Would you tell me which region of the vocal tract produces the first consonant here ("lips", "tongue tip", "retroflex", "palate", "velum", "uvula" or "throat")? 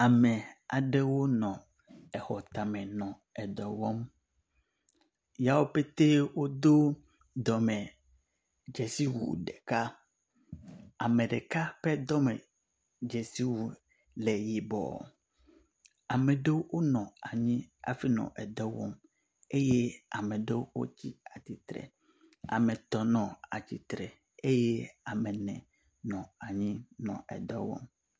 lips